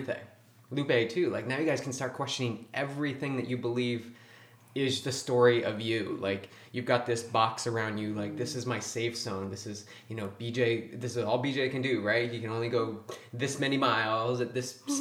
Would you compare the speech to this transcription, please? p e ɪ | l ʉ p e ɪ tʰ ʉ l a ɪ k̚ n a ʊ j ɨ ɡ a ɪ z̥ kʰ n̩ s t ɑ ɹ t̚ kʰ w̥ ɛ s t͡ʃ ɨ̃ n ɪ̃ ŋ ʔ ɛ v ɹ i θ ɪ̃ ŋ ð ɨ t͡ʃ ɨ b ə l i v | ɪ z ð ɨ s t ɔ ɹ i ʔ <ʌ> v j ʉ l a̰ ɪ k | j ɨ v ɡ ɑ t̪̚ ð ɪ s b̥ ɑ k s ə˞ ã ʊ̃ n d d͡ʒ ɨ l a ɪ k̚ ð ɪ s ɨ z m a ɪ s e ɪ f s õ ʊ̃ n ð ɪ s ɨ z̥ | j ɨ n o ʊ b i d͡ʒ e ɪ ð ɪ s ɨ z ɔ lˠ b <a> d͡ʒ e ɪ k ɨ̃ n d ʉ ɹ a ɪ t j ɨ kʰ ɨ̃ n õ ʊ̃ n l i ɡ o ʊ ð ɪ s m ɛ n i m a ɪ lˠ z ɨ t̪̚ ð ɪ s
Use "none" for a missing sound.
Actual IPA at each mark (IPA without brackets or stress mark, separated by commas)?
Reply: ʌ, i